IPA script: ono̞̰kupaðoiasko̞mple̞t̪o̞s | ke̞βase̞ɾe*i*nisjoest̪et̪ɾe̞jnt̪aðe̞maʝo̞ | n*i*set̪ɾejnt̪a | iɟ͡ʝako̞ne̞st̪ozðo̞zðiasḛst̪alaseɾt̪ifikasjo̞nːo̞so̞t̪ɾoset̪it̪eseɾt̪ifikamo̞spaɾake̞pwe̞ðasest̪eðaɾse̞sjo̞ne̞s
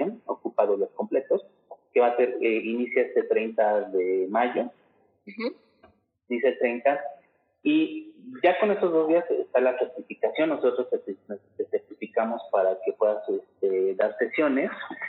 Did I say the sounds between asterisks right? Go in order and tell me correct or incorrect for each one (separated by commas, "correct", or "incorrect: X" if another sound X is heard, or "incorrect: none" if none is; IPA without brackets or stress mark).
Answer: correct, correct